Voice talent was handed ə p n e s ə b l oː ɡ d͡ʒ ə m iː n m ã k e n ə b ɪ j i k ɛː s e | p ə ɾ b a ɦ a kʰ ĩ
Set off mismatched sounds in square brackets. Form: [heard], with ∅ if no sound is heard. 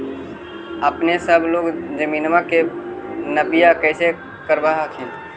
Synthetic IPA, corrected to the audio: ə p n e s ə b l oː ɡ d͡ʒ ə m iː n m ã k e n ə b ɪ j [a] k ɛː s e | [k] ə ɾ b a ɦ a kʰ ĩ